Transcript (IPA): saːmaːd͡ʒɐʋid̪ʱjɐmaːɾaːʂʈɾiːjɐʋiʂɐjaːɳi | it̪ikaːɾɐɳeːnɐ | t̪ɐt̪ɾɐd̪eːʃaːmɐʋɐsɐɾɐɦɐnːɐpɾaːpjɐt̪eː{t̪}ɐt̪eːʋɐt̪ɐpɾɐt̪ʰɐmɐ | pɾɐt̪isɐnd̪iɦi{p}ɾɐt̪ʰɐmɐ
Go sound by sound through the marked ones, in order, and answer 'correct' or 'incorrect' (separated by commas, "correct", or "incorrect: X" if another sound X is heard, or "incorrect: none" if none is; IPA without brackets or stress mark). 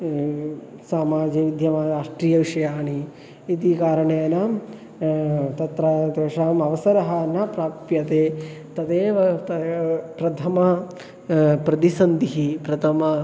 correct, correct